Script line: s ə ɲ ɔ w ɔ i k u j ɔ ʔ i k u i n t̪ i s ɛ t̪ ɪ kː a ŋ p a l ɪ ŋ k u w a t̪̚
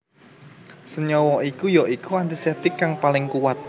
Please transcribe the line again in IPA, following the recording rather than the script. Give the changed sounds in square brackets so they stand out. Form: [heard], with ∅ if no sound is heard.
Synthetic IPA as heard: s ə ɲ ɔ w ɔ i k u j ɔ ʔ i k u [a] n t̪ i s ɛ t̪ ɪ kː a ŋ p a l ɪ ŋ k u w a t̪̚